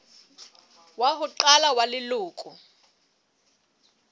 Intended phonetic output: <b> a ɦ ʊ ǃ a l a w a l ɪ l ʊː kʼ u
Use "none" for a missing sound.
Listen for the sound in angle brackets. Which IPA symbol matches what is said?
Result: w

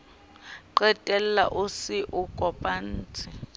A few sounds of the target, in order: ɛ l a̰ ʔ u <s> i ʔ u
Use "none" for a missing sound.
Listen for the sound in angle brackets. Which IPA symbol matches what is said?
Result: s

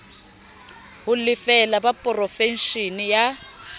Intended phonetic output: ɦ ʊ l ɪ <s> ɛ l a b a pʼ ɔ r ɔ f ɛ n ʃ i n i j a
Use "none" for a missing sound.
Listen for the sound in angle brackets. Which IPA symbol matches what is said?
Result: f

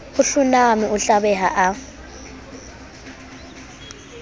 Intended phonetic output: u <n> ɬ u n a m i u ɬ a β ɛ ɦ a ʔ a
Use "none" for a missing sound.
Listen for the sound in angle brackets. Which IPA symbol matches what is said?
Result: none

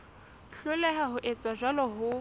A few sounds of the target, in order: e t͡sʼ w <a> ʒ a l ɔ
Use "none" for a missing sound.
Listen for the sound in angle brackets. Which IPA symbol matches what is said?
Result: a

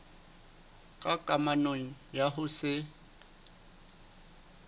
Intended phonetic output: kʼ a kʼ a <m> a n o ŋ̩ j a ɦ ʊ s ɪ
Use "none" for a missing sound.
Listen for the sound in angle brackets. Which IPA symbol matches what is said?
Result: m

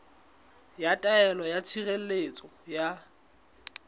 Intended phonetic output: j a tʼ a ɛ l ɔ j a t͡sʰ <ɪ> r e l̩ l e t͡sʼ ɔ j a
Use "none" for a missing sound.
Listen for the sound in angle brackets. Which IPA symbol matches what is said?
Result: i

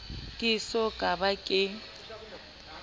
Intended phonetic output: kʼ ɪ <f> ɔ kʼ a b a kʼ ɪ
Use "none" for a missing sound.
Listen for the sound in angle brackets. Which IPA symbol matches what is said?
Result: s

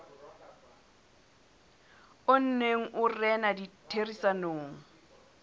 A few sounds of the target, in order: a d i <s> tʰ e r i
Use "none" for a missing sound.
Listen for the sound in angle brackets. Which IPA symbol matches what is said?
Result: none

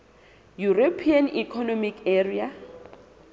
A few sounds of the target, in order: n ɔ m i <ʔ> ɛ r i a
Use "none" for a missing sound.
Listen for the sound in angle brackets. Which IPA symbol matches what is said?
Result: k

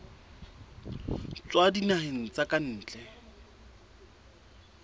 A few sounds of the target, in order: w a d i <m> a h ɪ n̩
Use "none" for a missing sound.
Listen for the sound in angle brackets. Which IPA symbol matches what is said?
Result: n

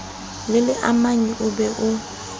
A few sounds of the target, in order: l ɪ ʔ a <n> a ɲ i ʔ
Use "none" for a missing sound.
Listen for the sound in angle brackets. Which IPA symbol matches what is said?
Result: m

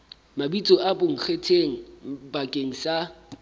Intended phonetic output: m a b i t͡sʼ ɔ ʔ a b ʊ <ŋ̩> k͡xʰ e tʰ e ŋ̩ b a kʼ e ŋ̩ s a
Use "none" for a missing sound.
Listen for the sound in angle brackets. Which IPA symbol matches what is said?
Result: ŋ̩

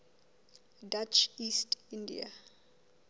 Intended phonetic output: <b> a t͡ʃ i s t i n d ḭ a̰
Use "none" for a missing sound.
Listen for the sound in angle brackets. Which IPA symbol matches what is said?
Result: d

